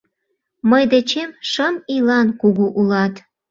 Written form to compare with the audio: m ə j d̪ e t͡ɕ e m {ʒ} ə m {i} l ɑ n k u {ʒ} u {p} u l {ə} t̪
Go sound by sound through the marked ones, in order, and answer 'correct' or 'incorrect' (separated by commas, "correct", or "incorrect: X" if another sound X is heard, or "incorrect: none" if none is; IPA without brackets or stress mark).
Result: incorrect: ʃ, correct, incorrect: ɣ, incorrect: ʔ, incorrect: ɑ